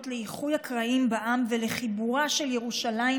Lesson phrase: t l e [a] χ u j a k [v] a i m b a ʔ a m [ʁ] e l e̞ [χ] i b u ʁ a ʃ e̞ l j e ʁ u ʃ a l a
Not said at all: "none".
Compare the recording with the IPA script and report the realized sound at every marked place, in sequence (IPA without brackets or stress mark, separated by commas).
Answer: i, ʁ, v, χ